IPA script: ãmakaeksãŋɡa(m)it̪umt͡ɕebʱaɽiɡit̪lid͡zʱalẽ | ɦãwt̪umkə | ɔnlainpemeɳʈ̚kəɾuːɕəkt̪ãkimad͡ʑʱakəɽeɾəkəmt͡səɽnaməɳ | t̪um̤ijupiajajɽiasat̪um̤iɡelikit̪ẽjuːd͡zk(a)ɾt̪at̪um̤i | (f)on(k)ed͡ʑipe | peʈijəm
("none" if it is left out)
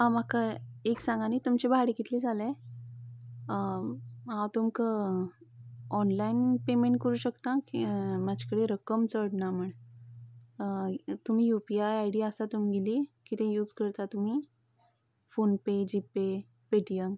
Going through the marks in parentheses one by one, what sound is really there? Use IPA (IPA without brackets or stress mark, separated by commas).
n, ə, f, p